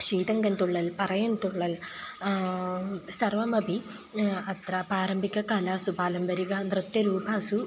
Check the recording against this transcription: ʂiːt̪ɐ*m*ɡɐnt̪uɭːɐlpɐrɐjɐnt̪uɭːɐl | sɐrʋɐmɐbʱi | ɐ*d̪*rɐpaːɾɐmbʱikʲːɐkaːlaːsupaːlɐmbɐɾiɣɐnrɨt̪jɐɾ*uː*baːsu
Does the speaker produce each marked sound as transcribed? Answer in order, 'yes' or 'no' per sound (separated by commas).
no, no, yes